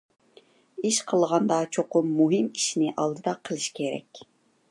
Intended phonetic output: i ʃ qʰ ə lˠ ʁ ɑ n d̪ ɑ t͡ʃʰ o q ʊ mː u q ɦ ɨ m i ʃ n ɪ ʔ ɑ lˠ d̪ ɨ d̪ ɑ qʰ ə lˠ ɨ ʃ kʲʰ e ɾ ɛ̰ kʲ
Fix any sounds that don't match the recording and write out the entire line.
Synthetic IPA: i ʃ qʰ ə lˠ ʁ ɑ n d̪ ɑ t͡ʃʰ o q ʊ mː u ɦ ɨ m i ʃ n ɪ ʔ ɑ lˠ d̪ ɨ d̪ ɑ qʰ ə lˠ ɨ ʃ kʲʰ e ɾ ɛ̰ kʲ